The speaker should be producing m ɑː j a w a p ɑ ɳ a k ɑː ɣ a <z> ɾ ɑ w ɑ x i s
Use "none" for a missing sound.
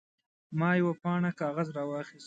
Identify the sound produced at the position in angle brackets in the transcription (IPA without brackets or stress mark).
z